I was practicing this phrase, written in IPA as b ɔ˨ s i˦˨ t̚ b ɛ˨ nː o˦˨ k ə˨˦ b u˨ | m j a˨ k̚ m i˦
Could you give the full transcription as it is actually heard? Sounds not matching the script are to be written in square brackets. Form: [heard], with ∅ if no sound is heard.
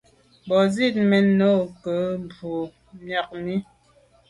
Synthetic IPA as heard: b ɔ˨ [z] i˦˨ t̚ [m] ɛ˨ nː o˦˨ k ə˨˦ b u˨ | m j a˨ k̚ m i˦